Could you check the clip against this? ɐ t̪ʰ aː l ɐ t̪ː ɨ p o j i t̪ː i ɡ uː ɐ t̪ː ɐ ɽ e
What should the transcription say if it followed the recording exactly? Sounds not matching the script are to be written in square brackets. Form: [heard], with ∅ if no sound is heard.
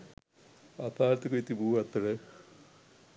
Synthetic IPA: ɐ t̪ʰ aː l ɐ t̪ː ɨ [k] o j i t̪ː i [b] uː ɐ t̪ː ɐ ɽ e